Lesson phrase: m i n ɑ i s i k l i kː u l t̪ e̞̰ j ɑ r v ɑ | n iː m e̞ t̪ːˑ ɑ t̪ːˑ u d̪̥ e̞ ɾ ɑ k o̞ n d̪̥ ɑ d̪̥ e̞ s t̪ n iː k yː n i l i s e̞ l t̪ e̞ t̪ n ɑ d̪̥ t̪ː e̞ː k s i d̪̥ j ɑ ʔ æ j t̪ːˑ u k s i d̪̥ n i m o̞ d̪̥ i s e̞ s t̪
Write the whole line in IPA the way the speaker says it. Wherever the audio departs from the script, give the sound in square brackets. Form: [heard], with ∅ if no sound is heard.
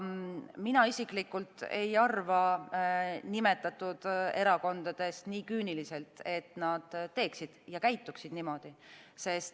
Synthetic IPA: m i n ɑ i s i k l i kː u l t̪ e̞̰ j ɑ r v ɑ | n [i] m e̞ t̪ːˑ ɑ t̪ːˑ u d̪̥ e̞ ɾ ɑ k o̞ n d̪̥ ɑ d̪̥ e̞ s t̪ n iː k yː n i l i s e̞ l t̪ e̞ t̪ n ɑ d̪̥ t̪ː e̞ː k s i d̪̥ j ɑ [k] æ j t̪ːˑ u k s i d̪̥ n i m o̞ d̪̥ i s e̞ s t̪